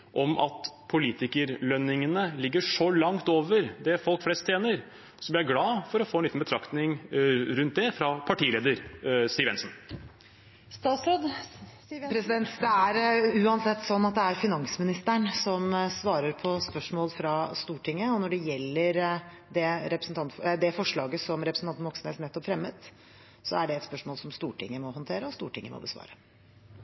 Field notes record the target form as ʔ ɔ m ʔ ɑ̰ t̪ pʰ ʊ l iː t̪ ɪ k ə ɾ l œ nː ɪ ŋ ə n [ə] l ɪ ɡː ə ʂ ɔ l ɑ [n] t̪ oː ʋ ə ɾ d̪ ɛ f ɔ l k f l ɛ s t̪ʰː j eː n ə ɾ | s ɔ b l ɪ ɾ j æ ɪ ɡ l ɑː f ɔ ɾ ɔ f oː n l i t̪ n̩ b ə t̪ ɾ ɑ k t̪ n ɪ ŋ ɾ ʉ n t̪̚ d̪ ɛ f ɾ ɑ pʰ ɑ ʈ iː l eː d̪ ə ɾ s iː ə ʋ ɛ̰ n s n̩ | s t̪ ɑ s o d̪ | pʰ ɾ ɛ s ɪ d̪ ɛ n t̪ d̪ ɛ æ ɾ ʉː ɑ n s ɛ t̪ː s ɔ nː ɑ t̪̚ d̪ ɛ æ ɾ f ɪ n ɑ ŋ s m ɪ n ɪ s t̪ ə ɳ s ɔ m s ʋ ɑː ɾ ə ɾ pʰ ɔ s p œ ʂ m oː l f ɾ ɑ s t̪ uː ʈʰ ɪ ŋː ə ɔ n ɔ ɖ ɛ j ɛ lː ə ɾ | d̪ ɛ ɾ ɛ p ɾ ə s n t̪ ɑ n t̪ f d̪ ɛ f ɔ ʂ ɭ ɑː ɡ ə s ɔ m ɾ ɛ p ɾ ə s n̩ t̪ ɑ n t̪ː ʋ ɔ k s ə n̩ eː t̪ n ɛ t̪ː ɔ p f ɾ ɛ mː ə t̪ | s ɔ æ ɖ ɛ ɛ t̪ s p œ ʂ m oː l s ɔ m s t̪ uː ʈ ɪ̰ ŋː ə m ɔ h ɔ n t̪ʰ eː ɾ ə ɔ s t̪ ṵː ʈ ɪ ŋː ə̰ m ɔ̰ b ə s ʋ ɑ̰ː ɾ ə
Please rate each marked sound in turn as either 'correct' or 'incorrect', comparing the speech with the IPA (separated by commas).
correct, incorrect